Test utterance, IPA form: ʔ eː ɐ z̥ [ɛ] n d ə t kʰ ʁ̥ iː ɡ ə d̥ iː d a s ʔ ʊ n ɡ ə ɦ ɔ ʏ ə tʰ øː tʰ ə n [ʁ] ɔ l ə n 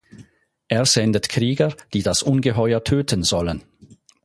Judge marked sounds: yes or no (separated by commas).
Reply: yes, no